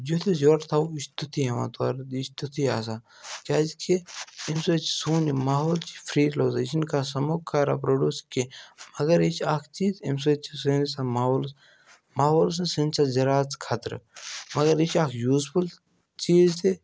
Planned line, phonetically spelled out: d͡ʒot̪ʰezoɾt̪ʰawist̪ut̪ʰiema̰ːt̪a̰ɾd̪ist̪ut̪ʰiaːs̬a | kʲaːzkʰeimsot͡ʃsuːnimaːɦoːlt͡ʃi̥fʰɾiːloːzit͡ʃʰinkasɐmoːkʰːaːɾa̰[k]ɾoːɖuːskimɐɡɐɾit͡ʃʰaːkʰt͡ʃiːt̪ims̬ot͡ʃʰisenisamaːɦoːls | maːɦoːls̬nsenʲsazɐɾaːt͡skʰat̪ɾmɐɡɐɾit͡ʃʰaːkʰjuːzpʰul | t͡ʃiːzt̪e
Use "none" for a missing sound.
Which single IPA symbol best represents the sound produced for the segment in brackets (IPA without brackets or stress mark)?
p